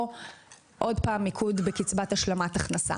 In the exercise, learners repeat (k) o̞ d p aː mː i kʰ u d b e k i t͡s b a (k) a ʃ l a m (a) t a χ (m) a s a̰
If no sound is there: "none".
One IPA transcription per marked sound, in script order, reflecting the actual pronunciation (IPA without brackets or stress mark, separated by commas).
ʔ, t, a, n